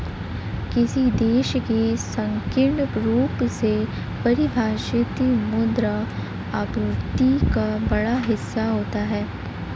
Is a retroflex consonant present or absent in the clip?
present